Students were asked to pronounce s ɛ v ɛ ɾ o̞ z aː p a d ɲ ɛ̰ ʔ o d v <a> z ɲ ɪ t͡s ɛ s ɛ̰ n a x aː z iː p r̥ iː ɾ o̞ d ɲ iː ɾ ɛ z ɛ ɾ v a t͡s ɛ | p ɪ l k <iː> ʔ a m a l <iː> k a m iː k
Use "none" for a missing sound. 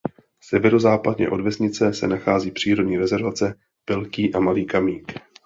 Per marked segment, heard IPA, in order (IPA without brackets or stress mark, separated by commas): ɛ, iː, iː